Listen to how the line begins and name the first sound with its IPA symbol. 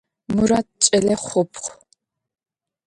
m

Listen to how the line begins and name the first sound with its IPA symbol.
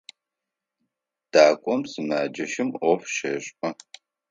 d̥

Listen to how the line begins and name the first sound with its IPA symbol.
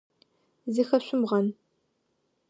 z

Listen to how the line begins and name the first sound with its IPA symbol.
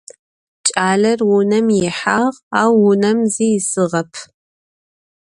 t͡ʃʼ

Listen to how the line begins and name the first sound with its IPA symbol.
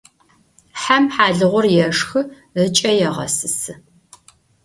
ħ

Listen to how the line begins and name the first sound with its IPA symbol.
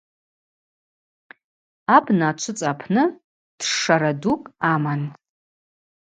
a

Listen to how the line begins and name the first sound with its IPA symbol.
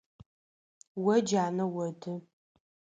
w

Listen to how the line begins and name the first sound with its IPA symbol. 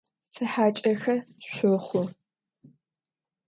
s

